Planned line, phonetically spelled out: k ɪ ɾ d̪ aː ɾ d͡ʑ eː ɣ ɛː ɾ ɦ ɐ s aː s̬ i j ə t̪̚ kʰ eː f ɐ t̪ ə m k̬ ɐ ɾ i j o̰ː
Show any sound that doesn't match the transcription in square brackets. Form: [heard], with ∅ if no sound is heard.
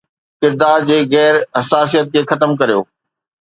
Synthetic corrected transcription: k ɪ ɾ d̪ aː ɾ d͡ʑ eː ɣ ɛː ɾ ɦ ɐ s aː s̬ i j ə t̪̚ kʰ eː [x] ɐ t̪ ə m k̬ ɐ ɾ i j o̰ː